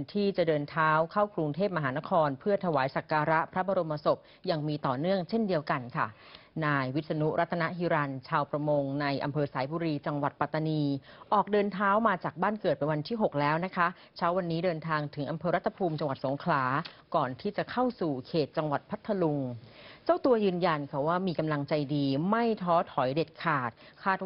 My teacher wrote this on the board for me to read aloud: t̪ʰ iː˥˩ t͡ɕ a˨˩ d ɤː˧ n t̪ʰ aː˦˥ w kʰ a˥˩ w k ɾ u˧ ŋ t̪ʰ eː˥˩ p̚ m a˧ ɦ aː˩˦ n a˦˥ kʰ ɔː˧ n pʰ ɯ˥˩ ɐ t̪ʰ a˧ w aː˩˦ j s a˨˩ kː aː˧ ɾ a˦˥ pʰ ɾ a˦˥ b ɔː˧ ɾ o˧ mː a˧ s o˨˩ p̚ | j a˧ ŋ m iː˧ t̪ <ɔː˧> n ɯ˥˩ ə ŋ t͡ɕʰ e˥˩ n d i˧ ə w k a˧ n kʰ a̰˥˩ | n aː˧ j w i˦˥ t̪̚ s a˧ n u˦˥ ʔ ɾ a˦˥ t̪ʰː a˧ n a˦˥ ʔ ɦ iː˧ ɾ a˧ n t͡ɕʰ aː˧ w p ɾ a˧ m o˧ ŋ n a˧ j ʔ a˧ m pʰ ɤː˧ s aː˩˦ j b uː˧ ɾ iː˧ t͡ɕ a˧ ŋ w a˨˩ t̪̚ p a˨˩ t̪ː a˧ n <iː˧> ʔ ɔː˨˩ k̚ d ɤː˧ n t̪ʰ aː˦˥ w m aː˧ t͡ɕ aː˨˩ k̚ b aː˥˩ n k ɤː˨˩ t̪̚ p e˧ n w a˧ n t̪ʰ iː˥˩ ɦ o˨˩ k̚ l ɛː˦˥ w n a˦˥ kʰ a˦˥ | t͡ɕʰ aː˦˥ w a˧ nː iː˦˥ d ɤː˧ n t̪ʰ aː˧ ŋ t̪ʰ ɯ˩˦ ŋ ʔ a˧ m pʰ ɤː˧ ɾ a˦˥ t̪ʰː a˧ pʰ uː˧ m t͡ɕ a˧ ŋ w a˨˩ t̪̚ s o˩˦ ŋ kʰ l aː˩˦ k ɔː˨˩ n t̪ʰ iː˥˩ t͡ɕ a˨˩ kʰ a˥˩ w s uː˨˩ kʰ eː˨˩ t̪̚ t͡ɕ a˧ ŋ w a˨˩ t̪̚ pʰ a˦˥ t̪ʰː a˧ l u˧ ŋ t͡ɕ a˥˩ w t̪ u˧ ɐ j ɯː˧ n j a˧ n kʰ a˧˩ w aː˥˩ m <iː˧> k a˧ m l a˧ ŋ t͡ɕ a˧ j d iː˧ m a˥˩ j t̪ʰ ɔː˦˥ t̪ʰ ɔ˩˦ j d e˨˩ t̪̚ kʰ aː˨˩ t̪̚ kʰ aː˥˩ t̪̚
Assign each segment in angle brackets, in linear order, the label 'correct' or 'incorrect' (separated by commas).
incorrect, correct, correct